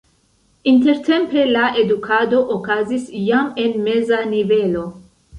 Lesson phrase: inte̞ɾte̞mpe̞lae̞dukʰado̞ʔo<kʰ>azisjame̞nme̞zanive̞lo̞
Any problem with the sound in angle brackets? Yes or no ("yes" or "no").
yes